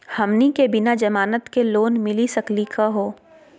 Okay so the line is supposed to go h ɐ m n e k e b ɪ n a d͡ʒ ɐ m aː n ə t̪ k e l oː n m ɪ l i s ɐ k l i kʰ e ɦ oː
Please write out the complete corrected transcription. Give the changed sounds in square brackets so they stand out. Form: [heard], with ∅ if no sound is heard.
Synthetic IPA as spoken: h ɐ m n [i] k e b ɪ n a d͡ʒ ɐ m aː n ə t̪ k e l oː n m ɪ l i s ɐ k l i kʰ [a] ɦ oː

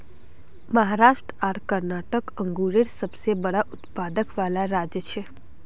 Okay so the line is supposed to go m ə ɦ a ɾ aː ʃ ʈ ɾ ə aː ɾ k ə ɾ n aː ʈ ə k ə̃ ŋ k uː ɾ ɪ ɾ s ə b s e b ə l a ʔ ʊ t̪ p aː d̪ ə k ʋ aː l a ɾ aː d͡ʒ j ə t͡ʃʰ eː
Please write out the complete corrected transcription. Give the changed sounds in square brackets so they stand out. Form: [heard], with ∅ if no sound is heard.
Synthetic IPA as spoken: m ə ɦ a ɾ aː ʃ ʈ ɾ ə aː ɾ k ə ɾ n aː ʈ ə k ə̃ ŋ [ɡ] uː ɾ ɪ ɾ s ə b s e b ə [ɽ] a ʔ ʊ t̪ p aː d̪ ə k ʋ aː l a ɾ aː d͡ʒ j ə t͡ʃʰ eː

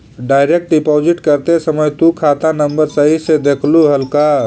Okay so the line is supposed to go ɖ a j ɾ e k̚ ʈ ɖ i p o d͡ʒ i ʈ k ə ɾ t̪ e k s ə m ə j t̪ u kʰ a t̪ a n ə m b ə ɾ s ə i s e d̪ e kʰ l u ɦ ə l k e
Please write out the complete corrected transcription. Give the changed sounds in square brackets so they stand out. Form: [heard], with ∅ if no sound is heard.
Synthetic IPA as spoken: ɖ a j ɾ e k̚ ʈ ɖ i p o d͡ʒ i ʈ k ə ɾ t̪ e [∅] s ə m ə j t̪ u kʰ a t̪ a n ə m b ə ɾ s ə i s e d̪ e kʰ l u ɦ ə l k [a]

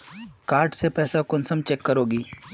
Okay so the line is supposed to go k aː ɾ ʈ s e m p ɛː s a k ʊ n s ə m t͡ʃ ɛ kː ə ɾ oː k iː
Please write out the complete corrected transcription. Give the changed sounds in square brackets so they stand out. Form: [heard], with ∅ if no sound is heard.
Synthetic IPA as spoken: k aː ɾ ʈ s e [∅] p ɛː s a k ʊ n s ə m t͡ʃ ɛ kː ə ɾ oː [ɡ] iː

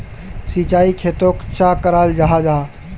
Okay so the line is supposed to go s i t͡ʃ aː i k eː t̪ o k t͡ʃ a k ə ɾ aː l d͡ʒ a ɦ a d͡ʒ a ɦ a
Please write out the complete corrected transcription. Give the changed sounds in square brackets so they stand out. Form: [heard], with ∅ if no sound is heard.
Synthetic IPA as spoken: s i t͡ʃ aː i [kʰ] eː t̪ o k t͡ʃ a k ə ɾ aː l d͡ʒ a ɦ a d͡ʒ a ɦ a

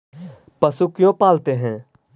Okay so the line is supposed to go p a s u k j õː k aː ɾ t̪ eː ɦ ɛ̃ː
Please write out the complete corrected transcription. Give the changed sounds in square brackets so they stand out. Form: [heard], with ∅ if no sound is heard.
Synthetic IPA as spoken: p [ə] s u k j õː [p] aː [l] t̪ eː ɦ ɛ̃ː

